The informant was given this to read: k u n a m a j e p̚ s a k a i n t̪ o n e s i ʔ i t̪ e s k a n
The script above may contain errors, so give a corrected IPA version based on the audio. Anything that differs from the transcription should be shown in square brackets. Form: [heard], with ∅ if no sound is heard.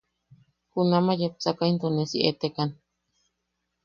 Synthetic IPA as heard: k u n a m a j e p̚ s a k a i n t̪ o n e s i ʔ [e] t̪ e [∅] k a n